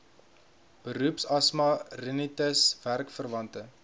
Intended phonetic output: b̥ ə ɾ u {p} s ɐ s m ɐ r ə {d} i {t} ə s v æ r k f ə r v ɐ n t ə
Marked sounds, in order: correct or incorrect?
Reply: correct, incorrect: n, correct

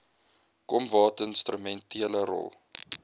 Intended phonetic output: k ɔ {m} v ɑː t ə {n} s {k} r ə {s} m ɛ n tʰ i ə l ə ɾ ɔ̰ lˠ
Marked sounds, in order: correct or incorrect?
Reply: correct, correct, incorrect: t, incorrect: none

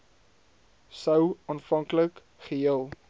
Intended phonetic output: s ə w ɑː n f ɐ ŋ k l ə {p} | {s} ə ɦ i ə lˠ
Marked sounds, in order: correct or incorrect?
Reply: incorrect: k, incorrect: χ

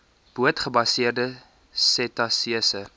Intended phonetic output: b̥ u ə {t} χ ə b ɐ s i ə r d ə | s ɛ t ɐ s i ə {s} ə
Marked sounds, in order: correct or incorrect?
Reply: correct, correct

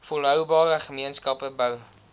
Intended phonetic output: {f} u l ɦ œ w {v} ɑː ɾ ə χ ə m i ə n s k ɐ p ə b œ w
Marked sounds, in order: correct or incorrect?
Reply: correct, incorrect: b

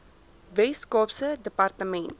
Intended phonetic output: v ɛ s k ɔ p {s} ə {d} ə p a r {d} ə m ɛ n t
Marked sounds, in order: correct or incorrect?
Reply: correct, correct, incorrect: t

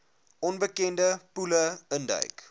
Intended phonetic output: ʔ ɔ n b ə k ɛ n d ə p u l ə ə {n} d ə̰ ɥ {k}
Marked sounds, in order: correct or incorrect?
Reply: correct, correct

